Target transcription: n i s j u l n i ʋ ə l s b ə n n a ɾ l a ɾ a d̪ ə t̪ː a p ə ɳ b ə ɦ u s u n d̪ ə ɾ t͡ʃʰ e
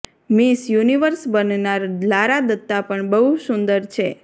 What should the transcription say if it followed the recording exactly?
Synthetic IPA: m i s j u n i ʋ ə ɾ s b ə n n a ɾ l a ɾ a d̪ ə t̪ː a p ə ɳ b ə ɦ u s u n d̪ ə ɾ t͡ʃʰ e